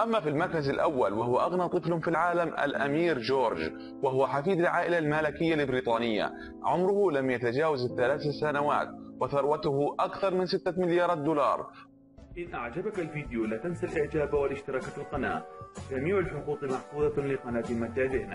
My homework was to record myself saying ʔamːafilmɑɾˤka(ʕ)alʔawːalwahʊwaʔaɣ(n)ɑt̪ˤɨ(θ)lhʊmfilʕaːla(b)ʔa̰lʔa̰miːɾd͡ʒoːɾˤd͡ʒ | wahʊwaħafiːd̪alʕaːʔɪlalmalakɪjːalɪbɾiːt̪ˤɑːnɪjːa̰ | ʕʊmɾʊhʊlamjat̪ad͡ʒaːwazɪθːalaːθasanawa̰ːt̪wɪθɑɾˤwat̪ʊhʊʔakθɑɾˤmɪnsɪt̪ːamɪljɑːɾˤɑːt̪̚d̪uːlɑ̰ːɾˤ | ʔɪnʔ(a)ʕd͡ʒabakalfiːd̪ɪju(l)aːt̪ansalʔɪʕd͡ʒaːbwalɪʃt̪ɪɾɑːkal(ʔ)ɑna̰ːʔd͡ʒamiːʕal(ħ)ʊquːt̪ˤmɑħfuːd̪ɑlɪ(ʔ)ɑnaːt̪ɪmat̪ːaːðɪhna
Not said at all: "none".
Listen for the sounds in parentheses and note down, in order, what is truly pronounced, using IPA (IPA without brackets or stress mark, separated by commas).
z, n, f, m, a, l, q, ħ, q